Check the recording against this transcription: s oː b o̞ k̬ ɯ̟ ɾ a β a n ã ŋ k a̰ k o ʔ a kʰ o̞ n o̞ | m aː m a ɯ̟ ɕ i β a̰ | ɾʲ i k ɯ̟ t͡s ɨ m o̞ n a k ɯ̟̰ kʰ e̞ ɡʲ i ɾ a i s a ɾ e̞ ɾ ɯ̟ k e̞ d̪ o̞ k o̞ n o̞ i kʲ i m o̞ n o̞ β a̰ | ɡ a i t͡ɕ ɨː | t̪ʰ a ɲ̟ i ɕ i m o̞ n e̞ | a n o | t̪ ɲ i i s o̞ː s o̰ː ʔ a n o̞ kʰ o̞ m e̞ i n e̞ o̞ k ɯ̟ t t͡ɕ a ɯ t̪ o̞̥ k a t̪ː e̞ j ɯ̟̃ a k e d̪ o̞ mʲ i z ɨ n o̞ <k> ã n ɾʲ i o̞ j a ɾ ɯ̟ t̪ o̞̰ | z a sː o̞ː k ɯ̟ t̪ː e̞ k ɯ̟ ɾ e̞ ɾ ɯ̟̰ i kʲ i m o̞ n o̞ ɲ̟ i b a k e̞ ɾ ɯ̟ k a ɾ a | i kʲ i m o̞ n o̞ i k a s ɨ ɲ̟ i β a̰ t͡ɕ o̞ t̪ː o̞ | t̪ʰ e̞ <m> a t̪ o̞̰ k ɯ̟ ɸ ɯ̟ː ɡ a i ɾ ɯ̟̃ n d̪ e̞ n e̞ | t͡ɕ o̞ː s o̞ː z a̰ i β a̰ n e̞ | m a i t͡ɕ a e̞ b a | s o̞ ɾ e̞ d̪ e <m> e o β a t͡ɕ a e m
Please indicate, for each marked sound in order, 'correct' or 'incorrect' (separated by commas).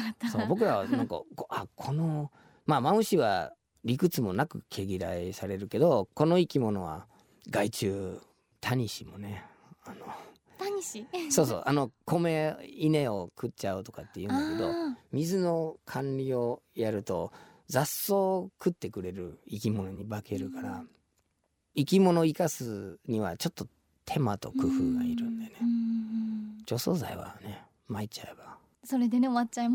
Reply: incorrect, correct, incorrect